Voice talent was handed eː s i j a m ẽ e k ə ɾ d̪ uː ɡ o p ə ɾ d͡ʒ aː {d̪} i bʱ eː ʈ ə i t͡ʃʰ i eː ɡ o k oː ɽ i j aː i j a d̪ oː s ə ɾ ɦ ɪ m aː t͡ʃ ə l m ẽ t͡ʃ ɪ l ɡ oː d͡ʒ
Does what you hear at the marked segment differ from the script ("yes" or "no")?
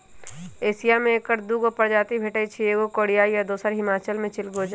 yes